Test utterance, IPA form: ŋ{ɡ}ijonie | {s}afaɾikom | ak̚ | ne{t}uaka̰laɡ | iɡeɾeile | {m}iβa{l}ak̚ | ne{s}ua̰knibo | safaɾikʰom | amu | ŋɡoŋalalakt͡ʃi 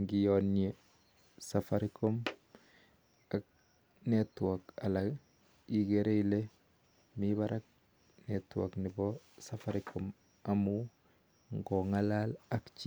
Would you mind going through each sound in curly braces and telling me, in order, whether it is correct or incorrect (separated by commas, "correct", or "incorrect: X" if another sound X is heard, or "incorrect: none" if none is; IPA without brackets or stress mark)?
correct, correct, correct, correct, incorrect: ɾ, incorrect: t